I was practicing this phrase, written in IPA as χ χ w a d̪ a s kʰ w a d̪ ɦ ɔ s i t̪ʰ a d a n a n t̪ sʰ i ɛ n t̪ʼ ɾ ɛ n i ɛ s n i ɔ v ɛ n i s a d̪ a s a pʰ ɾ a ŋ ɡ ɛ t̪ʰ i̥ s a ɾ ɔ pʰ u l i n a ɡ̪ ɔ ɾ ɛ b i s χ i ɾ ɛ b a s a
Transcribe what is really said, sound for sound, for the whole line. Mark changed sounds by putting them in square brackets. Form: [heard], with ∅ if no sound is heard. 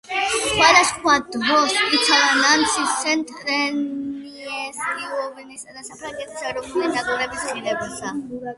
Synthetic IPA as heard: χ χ w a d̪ a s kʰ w a d̪ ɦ ɔ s i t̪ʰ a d a n a n t̪ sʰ i ɛ n t̪ʼ ɾ ɛ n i ɛ s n i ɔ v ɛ n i s a d̪ a s a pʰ ɾ a ŋ ɡ ɛ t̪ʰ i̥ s a ɾ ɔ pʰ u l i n a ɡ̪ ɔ ɾ ɛ b i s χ i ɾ ɛ b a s a